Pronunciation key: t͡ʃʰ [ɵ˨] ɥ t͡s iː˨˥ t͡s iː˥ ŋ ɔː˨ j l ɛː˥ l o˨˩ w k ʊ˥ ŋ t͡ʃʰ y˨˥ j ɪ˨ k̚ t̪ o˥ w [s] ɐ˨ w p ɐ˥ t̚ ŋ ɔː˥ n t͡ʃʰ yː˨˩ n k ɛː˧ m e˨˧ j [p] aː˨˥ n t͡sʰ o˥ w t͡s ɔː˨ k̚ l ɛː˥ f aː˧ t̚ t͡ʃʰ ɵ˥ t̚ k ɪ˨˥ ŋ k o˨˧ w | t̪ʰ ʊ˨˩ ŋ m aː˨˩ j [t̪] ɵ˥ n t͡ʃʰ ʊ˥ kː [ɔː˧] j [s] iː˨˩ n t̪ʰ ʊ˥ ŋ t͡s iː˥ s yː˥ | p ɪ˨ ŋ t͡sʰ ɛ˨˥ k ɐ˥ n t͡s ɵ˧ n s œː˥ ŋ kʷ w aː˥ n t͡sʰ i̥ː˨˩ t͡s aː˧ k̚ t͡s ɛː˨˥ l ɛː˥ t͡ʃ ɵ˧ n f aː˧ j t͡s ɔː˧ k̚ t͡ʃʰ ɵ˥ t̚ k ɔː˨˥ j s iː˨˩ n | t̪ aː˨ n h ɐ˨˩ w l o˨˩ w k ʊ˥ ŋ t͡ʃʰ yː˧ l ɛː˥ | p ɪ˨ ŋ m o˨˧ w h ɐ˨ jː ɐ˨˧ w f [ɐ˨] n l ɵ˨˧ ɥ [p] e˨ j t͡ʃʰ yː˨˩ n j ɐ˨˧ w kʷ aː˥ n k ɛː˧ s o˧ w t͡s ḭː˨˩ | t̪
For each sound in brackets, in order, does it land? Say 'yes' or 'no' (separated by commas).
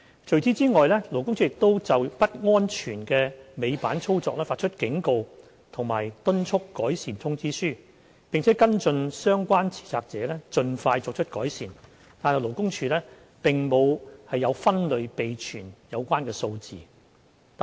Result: yes, no, yes, yes, no, yes, no, yes